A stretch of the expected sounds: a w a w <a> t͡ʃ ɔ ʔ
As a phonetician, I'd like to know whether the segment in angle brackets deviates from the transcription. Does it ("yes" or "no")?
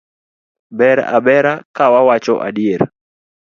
no